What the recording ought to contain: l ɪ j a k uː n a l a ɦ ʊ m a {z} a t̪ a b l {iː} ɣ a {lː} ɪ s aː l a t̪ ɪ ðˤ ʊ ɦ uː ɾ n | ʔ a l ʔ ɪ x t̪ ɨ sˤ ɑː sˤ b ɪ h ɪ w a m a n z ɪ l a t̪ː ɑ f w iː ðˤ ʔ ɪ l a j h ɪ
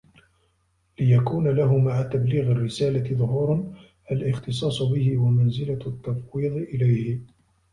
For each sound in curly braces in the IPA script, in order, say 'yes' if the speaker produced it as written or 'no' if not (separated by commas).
no, yes, no